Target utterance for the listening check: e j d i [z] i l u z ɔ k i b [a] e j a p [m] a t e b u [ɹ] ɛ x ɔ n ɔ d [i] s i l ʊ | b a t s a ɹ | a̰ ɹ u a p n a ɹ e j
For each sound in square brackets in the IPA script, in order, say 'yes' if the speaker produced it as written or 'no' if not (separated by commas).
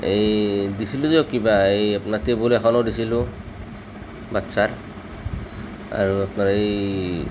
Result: no, yes, no, no, yes